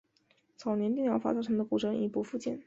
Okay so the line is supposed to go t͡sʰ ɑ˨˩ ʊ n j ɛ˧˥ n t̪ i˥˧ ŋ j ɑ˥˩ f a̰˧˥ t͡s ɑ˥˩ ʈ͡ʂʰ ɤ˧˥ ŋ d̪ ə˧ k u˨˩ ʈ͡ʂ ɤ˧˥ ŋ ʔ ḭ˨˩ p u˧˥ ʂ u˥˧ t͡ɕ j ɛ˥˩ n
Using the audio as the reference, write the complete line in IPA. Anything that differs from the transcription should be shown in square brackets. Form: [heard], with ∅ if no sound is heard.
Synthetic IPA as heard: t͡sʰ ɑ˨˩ ʊ n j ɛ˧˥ n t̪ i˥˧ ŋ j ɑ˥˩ f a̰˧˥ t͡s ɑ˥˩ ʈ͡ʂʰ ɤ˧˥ ŋ d̪ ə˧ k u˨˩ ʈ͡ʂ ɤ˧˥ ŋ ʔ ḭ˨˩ p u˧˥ [f] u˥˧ t͡ɕ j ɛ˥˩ n